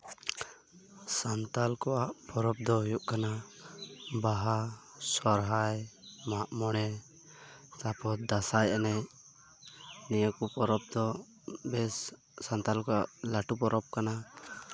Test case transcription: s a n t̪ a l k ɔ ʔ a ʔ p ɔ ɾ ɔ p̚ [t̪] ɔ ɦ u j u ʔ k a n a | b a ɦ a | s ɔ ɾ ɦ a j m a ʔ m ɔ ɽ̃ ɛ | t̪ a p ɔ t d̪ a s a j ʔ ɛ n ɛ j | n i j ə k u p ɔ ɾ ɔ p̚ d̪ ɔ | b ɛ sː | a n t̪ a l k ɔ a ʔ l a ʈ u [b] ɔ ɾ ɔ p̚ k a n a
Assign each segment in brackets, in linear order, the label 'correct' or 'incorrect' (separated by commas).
incorrect, incorrect